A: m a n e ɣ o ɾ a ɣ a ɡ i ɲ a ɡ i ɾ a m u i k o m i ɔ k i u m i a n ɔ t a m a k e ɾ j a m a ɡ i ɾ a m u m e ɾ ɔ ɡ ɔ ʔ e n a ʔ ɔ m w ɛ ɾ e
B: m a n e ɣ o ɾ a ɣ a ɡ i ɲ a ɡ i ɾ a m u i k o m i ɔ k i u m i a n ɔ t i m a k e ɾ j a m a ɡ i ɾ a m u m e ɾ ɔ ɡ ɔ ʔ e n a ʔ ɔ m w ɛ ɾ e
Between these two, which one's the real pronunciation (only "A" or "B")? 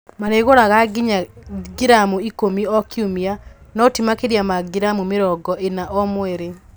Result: B